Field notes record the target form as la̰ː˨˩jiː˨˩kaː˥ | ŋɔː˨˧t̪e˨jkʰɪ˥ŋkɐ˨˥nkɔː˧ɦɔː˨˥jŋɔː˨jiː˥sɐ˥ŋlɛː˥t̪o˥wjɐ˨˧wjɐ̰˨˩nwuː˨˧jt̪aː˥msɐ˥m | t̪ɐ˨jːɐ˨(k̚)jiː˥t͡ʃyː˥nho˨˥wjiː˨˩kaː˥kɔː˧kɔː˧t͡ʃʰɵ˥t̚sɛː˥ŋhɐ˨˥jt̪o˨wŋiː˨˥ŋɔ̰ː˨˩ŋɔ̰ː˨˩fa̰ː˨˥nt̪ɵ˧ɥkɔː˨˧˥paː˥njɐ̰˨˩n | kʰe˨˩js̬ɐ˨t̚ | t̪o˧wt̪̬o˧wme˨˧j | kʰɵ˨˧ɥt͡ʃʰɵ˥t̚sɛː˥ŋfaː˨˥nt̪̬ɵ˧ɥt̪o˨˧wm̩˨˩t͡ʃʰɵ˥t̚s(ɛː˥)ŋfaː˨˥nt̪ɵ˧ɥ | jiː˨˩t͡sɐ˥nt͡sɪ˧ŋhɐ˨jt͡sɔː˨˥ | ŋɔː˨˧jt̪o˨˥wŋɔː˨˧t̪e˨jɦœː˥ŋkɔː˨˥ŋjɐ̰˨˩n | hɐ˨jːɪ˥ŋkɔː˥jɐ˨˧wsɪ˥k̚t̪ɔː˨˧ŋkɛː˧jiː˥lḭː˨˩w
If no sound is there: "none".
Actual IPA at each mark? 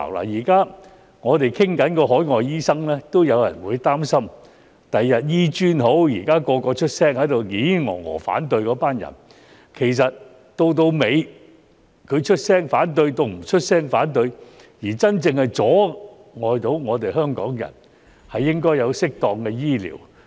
t̚, ɛː˥

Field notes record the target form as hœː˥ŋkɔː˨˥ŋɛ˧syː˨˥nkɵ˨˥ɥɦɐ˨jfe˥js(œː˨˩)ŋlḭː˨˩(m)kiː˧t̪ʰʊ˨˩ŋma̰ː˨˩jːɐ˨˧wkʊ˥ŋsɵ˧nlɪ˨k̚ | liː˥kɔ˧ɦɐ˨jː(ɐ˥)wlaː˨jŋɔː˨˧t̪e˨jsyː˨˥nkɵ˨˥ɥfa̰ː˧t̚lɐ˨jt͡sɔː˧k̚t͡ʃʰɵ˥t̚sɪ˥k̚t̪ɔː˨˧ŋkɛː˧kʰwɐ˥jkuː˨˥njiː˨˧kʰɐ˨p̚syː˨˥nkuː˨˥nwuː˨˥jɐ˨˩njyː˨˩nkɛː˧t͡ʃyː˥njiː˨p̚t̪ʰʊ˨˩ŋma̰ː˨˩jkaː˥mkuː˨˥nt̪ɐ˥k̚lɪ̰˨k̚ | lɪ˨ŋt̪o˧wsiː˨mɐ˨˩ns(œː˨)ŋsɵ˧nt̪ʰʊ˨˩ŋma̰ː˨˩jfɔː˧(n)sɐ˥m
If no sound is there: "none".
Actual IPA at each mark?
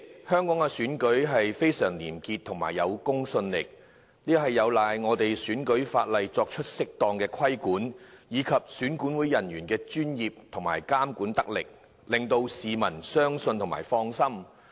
œː˨˩, m, ɐ˨˧, œː˥, ŋ

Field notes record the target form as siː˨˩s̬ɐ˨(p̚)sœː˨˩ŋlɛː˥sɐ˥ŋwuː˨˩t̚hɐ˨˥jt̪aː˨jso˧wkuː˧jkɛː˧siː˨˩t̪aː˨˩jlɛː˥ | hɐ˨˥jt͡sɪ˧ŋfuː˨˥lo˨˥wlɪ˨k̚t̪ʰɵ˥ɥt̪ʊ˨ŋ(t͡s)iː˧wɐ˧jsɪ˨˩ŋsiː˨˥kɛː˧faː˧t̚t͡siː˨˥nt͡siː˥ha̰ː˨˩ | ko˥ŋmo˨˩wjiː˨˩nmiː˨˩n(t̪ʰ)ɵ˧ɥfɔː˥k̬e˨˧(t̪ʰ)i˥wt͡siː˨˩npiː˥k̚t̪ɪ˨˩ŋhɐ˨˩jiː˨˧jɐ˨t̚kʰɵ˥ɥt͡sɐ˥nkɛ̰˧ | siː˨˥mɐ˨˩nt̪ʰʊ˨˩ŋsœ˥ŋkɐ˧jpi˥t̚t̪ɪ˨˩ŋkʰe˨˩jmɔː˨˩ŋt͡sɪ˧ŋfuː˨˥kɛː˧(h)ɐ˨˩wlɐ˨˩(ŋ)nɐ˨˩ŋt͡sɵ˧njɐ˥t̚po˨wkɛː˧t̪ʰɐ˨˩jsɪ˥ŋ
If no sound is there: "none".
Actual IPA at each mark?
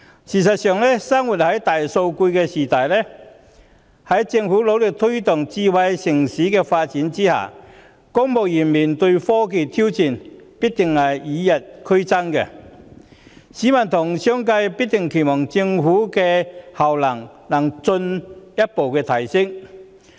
t̚, t͡s, t̪, t̪ʰ, h, ŋ

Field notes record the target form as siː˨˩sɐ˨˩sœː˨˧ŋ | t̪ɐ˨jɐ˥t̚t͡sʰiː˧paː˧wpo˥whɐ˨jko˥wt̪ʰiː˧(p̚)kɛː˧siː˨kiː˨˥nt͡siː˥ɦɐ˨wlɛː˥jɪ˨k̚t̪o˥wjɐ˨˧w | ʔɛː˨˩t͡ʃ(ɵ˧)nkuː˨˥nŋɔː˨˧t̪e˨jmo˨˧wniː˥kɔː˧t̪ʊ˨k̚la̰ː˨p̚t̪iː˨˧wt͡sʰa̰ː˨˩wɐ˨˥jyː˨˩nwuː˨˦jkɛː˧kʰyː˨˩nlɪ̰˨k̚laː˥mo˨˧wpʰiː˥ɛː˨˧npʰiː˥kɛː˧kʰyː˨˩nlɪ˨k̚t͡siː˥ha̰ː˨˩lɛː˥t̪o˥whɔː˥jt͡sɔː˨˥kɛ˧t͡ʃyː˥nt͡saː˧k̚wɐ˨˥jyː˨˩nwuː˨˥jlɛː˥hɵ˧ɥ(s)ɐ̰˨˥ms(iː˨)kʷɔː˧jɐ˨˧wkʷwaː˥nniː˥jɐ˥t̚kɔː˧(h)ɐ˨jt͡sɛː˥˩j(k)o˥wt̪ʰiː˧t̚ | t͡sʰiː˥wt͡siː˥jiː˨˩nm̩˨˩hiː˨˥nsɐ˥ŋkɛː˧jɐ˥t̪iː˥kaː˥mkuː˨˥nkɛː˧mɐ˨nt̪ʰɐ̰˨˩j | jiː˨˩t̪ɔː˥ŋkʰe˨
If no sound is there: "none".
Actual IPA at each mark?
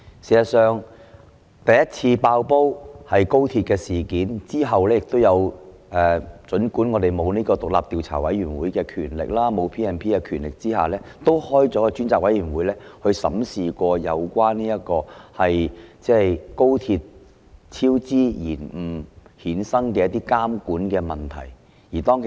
t̚, ɵ˨˥, s, iː˨, h, k

